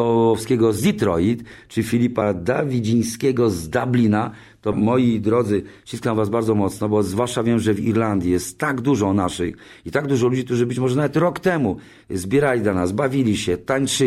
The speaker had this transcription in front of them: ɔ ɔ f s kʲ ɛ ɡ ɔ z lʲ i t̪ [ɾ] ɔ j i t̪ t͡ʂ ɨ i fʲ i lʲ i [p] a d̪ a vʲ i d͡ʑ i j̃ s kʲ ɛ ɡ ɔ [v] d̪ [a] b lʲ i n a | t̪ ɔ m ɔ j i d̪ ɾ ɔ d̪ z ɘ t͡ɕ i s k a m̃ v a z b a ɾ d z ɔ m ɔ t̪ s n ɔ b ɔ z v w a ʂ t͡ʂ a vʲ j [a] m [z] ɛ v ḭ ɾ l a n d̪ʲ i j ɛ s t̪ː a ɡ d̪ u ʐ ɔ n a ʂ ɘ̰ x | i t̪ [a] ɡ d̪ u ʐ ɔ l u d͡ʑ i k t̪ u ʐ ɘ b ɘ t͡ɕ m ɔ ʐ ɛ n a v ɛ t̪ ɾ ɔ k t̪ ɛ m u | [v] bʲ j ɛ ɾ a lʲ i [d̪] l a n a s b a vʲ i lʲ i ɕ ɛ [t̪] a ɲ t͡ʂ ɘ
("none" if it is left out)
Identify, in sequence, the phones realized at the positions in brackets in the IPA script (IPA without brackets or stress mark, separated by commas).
ɾ, p, z, a, ɛ, ʐ, a, z, d̪, t̪